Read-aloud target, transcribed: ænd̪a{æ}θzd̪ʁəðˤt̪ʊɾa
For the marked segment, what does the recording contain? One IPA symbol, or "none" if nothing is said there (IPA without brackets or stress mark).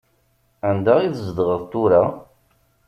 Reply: i